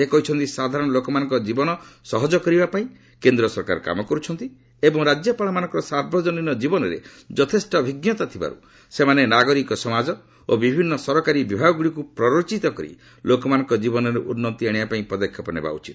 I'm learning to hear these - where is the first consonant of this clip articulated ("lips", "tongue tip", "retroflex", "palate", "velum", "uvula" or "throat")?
velum